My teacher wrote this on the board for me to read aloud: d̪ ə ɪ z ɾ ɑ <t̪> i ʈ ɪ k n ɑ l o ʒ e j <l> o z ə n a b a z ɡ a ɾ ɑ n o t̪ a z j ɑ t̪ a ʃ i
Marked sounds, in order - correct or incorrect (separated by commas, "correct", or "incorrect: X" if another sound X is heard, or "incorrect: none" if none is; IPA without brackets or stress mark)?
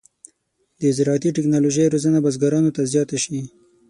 correct, incorrect: ɾ